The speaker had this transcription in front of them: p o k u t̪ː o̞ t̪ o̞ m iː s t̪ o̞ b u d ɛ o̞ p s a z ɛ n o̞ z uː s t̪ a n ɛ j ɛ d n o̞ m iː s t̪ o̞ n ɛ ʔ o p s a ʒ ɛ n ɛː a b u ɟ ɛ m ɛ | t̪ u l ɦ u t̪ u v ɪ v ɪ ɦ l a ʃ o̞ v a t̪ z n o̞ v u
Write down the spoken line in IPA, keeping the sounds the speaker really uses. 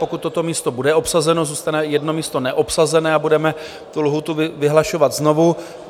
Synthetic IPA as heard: p o k u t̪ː o̞ t̪ o̞ m iː s t̪ o̞ b u d ɛ o̞ p s a z ɛ n o̞ z uː s t̪ a n ɛ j ɛ d n o̞ m iː s t̪ o̞ n ɛ ʔ o p s a z ɛ n ɛː a b u d ɛ m ɛ | t̪ u l ɦ u t̪ u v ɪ v ɪ ɦ l a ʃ o̞ v a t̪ z n o̞ v u

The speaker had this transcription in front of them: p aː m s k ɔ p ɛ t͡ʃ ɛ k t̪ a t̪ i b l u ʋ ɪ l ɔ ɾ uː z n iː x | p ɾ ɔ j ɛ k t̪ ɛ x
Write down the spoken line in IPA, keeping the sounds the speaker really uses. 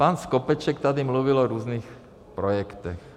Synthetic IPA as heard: p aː n s k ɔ p ɛ t͡ʃ ɛ k t̪ a d̪ i m l u ʋ i l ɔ ɾ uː z n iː x | p ɾ ɔ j ɛ k t̪ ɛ x

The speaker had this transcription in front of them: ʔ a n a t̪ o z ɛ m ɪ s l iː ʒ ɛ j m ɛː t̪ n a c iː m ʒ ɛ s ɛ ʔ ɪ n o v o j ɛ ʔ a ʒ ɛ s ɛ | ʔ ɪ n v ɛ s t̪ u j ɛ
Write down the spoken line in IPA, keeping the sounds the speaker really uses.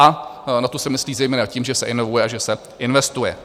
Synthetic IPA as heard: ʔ a n a t̪ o s ɛ m ɪ s l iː z ɛ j m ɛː n a c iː m ʒ ɛ s ɛ ʔ ɪ n o v u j ɛ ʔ a ʒ ɛ s ɛ | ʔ ɪ n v ɛ s t̪ u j ɛ

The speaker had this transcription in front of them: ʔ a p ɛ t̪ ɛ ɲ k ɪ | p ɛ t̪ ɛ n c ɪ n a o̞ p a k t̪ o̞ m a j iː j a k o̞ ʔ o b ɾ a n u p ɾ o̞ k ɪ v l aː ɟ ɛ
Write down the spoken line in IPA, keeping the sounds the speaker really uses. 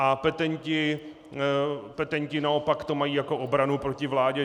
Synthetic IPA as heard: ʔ a p ɛ t̪ ɛ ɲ c ɪ | p ɛ t̪ ɛ ɲ c ɪ n a o̞ p a k t̪ o̞ m a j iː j a k o̞ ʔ o b ɾ a n u p ɾ o̞ c ɪ v l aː ɟ ɛ

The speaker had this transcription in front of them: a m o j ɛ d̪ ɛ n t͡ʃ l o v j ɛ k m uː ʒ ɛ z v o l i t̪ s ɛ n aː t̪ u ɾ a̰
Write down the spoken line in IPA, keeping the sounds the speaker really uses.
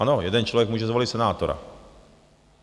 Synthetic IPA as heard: a n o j ɛ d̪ ɛ n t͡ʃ l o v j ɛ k m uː ʒ ɛ z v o l i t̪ s ɛ n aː t̪ o ɾ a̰

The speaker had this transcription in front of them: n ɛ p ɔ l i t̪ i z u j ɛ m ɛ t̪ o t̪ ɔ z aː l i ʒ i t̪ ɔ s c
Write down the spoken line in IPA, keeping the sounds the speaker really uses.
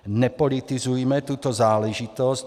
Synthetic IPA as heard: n ɛ p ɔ l i t̪ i z u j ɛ m ɛ t̪ u t̪ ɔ z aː l ɛ ʒ i t̪ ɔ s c

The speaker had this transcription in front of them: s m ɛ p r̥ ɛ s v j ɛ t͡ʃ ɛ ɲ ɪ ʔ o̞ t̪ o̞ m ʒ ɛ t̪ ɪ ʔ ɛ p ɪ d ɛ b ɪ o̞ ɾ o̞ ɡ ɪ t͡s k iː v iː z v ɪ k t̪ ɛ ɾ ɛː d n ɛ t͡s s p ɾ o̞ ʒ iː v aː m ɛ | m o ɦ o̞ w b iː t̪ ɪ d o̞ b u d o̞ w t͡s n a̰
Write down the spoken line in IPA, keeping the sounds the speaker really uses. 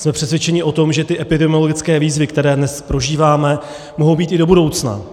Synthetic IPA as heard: s m ɛ p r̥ ɛ s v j ɛ t͡ʃ ɛ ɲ ɪ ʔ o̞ t̪ o̞ m ʒ ɛ t̪ ɪ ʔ ɛ p ɪ d ɛ m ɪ o̞ l o̞ ɡ ɪ t͡s k ɛː v iː z v ɪ k t̪ ɛ ɾ ɛː d n ɛ s p ɾ o̞ ʒ iː v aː m ɛ | m o ɦ o̞ w b iː t̪ ɪ d o̞ b u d o̞ w t͡s n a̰

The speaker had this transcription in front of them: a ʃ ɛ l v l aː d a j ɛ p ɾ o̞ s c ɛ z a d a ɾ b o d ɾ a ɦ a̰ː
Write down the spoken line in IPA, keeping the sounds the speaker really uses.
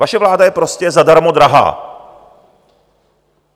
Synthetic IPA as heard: a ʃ ɛ v l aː d a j ɛ p ɾ o̞ s c ɛ z a d a ɾ m o d ɾ a ɦ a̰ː

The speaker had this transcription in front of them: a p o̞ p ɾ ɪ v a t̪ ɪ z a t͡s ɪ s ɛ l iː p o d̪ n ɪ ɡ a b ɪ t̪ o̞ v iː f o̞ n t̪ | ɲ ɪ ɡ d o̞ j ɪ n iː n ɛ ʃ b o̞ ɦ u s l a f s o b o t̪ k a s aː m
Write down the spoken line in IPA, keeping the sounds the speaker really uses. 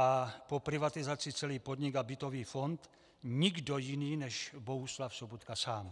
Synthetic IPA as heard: a p o̞ p ɾ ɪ v a t̪ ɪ z a t͡s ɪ t͡s ɛ l iː p o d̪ ɲ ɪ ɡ a b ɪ t̪ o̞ v iː f o̞ n t̪ | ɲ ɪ ɡ d o̞ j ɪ n iː n ɛ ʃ b o̞ ɦ u s l a f s o b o t̪ k a s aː m

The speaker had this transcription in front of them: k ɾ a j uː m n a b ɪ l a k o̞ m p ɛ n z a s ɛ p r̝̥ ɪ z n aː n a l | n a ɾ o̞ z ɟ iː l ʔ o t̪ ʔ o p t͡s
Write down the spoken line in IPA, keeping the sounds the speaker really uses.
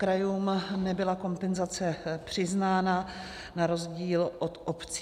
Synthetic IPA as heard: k ɾ a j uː m n ɛ b ɪ l a k o̞ m p ɛ n z a t͡s ɛ p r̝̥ ɪ z n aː n a | n a ɾ o̞ z ɟ iː l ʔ o t̪ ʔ o p t͡s

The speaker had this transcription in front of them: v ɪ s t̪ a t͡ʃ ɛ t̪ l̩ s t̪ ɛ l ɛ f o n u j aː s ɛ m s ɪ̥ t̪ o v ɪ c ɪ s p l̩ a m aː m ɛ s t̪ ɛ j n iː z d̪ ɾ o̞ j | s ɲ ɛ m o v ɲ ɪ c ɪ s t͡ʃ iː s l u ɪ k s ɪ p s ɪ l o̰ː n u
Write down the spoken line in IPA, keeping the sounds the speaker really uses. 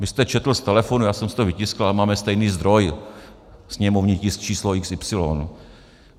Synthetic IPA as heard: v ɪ s t̪ ɛ t͡ʃ ɛ t̪ l̩ s t̪ ɛ l ɛ f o n u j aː s ɛ m s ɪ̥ t̪ o v ɪ c ɪ s k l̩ a m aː m ɛ s t̪ ɛ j n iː z d̪ ɾ o̞ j | s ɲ ɛ m o v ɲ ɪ c ɪ s t͡ʃ iː s l o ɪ k s ɪ p s ɪ l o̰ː n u

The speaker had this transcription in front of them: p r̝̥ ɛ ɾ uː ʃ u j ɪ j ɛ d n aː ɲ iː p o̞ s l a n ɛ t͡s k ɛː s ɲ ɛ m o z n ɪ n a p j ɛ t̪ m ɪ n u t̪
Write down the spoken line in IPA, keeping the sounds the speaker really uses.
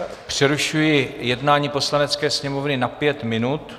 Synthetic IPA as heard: p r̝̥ ɛ ɾ u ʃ u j ɪ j ɛ d n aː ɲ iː p o̞ s l a n ɛ t͡s k ɛː s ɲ ɛ m o v n ɪ n a p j ɛ t̪ m ɪ n u t̪

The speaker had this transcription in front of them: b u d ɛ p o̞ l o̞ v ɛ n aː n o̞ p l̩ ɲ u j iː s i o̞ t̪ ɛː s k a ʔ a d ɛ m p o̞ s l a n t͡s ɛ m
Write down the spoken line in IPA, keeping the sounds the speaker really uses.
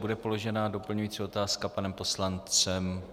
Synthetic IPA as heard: b u d ɛ p o̞ l o̞ ʒ ɛ n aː d o̞ p l̩ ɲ u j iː t͡s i o̞ t̪ aː s k a p a n ɛ m p o̞ s l a n t͡s ɛ m

